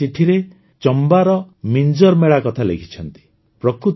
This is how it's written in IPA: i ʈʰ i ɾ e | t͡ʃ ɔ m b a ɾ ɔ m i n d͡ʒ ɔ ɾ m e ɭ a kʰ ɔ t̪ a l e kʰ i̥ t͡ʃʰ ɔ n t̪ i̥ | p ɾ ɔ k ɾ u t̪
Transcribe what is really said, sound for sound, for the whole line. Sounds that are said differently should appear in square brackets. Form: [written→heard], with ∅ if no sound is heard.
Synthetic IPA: i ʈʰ i ɾ e | t͡ʃ ɔ m b a ɾ ɔ m i n d͡ʒ ɔ ɾ m e ɭ a [kʰ→k] ɔ [t̪→t̪ʰ] a l e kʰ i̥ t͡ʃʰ ɔ n t̪ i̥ | p ɾ ɔ k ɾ u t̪